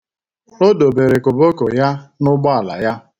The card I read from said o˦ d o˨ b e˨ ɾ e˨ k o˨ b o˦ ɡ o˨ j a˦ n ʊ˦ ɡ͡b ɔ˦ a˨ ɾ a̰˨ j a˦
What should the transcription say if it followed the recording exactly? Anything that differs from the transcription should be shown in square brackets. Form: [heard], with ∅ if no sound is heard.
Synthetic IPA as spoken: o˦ d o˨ b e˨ ɾ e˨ k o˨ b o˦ [k] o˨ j a˦ n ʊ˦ ɡ͡b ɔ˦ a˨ [l] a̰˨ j a˦